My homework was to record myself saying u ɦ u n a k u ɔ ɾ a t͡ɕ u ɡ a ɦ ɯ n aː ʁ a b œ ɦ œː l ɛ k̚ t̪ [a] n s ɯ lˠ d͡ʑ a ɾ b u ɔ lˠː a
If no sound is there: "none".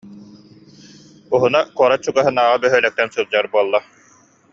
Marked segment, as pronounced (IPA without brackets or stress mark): ɛ